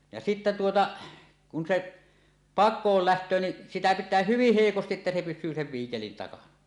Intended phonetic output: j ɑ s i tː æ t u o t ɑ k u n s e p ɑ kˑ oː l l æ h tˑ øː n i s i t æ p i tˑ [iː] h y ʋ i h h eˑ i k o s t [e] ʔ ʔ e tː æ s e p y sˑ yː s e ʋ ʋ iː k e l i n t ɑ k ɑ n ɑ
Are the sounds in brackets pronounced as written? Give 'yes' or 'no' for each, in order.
no, no

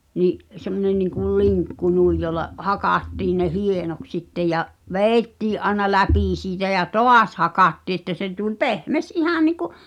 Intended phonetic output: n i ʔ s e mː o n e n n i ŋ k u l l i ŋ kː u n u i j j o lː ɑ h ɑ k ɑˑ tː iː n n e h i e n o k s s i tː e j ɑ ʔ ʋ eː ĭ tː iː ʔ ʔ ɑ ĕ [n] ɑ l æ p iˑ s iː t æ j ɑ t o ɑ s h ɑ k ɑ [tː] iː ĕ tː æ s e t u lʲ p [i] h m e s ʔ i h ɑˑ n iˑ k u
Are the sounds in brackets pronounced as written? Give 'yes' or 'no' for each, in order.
yes, yes, no

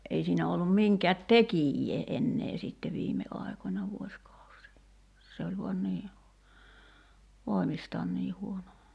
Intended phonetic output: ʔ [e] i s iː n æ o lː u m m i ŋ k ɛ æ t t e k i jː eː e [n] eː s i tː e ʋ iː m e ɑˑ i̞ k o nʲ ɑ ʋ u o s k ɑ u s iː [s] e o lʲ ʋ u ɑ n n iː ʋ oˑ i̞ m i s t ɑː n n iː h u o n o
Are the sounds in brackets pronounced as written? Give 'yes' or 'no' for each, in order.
yes, no, yes

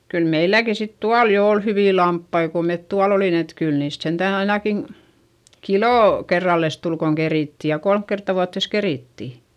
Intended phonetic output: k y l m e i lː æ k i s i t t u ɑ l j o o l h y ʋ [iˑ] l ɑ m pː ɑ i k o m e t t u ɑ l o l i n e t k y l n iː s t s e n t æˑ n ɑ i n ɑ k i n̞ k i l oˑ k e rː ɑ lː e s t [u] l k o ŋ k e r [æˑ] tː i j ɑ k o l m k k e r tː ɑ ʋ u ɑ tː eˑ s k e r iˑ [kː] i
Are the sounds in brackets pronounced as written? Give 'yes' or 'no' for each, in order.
yes, yes, no, no

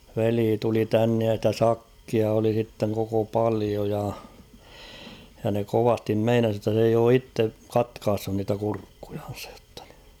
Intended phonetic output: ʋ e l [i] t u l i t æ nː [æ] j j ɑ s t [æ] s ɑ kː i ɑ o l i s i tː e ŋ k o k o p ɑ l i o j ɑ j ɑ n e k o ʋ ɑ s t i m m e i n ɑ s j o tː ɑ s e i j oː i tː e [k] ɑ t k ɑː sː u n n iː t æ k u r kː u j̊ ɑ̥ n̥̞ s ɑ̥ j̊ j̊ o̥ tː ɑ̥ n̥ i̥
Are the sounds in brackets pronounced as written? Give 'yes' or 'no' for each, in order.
no, no, yes, yes

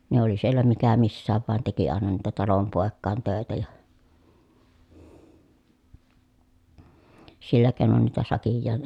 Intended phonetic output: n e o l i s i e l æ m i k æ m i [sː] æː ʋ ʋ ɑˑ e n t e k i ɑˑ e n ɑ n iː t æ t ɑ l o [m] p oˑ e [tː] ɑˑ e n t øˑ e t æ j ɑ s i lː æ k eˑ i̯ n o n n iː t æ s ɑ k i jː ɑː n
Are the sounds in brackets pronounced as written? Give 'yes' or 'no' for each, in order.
yes, yes, no

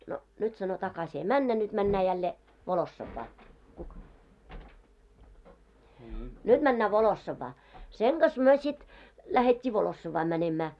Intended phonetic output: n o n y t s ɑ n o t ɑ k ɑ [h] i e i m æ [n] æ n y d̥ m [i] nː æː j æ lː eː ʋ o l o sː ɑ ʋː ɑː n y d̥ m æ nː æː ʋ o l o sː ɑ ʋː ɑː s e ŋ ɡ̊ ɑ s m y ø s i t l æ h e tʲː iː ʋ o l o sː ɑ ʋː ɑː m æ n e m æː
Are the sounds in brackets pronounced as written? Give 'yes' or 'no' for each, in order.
no, no, no

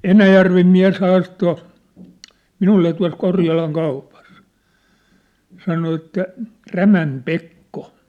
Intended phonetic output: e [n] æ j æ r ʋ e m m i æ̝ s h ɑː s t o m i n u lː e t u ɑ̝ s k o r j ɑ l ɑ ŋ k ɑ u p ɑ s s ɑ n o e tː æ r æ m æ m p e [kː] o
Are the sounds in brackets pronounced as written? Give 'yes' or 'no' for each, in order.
yes, yes

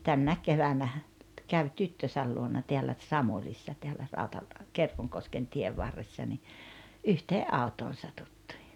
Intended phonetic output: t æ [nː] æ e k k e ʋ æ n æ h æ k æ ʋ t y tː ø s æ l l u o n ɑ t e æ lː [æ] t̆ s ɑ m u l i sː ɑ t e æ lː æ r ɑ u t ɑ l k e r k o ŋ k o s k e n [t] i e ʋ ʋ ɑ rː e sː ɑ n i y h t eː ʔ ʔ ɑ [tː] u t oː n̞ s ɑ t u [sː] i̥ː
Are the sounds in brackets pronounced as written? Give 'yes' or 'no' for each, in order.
yes, yes, yes, no, no

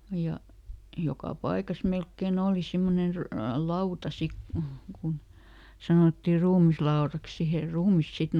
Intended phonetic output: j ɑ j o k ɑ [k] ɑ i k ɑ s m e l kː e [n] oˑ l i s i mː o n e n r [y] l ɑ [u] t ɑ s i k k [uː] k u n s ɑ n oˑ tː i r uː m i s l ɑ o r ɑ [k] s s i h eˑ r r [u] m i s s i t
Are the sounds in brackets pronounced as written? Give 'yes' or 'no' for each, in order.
no, yes, yes, yes, no, yes, no

